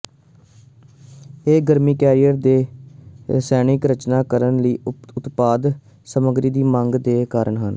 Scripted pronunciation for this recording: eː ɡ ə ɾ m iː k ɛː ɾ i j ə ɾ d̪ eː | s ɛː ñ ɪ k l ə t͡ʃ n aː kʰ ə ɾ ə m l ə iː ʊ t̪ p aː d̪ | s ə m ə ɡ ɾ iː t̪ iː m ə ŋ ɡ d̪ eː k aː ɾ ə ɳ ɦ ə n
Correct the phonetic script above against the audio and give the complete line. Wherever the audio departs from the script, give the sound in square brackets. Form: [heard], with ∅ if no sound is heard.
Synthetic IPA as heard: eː ɡ ə ɾ m iː k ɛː ɾ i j ə ɾ d̪ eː | s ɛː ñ ɪ k [ɾ] ə t͡ʃ n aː [k] ə ɾ ə [n] l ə iː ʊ t̪ p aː d̪ | s ə m ə ɡ ɾ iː [d̪] iː m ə ŋ ɡ d̪ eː k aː ɾ ə ɳ ɦ ə n